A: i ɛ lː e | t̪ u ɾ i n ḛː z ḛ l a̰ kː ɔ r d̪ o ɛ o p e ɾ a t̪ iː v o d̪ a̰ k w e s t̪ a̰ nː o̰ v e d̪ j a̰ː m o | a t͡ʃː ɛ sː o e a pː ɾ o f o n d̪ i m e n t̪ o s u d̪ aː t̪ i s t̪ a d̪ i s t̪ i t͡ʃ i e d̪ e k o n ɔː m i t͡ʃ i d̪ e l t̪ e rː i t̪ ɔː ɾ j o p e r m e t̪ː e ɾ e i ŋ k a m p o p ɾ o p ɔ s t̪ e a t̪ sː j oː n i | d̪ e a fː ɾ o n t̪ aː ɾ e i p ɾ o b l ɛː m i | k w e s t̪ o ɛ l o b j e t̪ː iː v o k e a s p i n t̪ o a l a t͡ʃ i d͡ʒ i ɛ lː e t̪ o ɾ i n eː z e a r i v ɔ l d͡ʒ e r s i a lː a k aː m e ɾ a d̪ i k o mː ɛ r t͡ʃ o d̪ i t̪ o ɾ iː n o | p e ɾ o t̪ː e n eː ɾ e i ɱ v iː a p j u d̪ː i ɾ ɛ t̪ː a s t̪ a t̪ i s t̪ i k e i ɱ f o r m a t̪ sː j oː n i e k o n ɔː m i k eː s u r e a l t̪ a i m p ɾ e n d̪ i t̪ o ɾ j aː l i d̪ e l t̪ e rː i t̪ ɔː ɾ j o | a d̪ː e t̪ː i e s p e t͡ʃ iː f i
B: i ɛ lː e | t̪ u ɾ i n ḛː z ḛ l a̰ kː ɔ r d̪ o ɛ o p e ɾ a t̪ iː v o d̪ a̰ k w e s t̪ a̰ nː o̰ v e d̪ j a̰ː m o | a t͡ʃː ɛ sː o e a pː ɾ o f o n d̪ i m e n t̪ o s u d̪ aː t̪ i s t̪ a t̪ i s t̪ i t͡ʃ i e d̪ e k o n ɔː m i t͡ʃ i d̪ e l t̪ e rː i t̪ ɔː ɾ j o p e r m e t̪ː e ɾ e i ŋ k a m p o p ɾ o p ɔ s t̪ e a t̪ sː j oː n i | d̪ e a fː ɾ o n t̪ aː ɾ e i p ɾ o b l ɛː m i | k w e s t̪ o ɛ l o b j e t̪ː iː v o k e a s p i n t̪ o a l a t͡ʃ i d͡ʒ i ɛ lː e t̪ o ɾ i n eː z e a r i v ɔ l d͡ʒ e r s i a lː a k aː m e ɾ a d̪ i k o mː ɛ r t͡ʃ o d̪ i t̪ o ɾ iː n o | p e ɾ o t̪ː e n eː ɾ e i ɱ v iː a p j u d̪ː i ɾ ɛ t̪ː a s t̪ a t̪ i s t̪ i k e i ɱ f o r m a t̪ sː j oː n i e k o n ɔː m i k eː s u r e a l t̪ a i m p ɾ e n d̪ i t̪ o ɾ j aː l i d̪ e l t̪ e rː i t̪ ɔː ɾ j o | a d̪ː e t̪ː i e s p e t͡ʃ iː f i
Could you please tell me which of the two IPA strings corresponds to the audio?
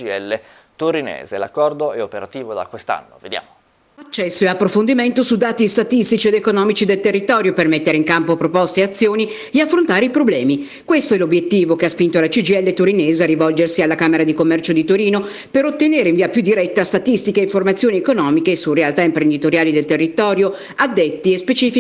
B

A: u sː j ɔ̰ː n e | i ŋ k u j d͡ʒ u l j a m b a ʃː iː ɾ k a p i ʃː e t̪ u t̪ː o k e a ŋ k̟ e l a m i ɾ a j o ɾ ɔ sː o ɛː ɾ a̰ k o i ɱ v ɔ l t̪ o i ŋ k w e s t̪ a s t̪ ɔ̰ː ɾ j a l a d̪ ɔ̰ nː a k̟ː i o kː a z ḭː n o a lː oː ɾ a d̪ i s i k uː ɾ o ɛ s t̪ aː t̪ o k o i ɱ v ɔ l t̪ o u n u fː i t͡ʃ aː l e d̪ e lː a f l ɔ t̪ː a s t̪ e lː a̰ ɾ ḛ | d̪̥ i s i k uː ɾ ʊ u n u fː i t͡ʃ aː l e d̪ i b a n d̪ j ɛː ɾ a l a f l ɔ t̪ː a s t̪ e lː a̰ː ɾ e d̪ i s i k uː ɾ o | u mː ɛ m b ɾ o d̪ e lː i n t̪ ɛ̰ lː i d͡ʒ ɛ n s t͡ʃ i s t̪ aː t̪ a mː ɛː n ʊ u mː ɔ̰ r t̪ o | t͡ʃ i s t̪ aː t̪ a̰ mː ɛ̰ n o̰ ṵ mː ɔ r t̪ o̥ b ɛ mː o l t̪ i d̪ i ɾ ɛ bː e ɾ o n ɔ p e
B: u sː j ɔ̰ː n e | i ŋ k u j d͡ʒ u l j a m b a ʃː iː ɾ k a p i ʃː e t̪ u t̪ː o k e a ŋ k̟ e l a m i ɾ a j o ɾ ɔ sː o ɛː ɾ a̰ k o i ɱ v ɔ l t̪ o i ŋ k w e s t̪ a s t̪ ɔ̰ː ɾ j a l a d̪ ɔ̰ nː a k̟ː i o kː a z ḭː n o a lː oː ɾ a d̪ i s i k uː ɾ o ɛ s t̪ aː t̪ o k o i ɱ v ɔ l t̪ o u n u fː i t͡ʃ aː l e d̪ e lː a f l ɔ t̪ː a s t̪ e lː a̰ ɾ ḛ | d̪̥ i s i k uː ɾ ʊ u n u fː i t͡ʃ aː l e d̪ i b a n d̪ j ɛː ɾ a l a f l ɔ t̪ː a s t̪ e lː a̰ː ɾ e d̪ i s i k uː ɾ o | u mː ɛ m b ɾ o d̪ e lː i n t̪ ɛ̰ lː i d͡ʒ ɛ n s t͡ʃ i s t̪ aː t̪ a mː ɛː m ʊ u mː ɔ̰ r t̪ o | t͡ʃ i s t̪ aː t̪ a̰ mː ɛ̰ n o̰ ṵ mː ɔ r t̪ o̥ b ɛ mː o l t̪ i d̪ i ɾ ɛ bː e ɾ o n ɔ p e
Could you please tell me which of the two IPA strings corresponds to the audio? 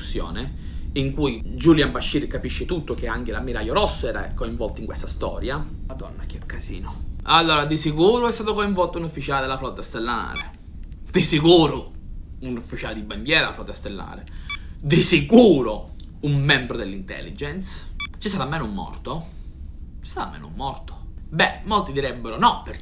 A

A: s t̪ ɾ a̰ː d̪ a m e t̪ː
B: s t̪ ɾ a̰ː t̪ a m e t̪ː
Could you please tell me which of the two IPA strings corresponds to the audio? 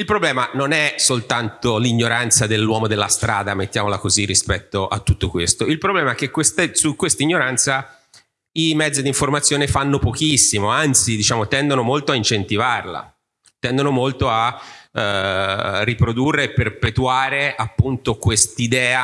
A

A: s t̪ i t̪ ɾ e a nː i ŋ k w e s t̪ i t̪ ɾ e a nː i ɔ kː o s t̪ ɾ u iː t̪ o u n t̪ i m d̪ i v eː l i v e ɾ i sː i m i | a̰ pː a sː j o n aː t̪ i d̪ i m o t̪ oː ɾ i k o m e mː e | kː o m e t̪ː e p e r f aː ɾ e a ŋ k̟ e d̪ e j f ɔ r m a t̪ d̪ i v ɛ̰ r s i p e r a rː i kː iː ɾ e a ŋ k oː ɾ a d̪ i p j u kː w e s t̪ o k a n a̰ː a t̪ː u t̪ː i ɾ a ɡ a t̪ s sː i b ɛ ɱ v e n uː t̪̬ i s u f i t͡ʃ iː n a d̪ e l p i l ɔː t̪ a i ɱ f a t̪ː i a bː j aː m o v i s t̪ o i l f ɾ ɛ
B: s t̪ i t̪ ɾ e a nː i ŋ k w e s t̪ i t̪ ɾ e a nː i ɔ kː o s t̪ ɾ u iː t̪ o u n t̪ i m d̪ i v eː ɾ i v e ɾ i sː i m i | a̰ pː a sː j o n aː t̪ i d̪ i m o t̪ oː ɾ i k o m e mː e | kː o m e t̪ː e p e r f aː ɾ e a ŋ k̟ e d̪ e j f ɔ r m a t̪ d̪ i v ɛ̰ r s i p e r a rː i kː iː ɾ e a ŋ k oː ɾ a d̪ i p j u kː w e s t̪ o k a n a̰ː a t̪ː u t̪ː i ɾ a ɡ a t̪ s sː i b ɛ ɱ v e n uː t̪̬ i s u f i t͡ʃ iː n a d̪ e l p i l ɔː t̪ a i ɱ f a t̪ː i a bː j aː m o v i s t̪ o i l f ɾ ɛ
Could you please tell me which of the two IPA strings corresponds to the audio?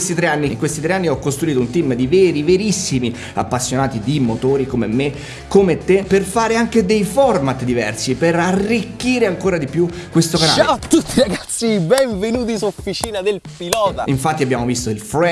B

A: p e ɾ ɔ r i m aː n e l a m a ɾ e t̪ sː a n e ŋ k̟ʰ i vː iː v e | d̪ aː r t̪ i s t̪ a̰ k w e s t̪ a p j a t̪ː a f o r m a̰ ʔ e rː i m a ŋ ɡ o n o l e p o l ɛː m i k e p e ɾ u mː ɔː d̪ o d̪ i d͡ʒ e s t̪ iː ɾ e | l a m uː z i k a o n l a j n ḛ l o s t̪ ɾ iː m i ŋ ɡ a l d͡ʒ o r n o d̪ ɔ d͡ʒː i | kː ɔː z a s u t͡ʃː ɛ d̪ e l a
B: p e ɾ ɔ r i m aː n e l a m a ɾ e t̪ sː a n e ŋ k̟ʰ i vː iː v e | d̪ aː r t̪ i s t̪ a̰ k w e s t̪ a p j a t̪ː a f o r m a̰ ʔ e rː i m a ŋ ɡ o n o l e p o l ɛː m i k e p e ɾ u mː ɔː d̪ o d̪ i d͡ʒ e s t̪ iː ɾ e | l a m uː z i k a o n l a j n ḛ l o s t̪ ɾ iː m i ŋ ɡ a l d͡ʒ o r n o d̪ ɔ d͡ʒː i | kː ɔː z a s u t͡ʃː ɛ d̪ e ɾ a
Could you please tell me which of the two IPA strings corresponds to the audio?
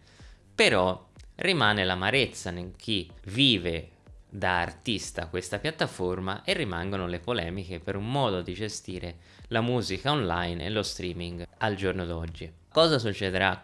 B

